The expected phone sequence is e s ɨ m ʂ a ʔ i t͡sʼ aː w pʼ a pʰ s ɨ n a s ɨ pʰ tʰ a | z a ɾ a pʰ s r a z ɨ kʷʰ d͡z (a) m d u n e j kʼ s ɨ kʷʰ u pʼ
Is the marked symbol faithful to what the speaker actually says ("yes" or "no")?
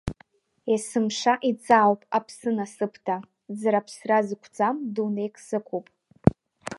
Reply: yes